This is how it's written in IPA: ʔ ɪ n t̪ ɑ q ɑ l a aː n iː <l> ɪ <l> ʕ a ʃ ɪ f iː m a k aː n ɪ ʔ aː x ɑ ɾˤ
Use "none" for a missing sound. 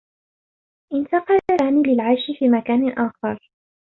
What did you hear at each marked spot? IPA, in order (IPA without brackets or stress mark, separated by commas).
l, l